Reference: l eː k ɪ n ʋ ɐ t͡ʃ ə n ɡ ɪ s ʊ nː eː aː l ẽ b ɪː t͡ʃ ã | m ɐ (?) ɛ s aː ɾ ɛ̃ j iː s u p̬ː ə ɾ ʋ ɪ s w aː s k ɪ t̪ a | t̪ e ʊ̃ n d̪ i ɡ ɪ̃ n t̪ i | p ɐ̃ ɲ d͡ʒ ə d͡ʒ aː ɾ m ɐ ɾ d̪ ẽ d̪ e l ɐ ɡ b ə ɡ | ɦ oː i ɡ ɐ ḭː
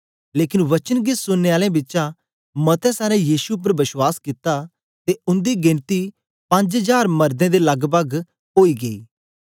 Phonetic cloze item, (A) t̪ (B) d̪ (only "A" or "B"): A